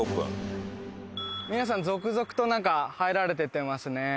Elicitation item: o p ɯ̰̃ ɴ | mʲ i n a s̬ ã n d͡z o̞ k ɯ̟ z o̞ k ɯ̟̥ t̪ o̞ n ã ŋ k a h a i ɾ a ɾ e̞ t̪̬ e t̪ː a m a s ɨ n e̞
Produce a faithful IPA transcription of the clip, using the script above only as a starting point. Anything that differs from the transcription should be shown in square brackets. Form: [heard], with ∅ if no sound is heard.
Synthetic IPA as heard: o p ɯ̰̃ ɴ | mʲ i n a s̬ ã n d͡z o̞ k ɯ̟ z o̞ k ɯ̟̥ t̪ o̞ n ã ŋ k a h a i ɾ a ɾ e̞ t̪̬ e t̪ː [e] m a s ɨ n e̞